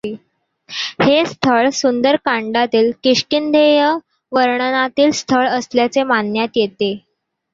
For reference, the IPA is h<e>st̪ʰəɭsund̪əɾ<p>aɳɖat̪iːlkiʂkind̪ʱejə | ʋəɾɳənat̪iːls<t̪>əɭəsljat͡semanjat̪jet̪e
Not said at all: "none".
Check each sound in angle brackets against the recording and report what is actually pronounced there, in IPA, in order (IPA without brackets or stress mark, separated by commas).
e, k, t̪ʰ